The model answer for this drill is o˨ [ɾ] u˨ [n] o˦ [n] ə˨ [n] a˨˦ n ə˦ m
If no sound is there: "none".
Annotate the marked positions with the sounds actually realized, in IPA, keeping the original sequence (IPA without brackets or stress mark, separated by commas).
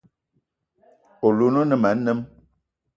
l, n, n, m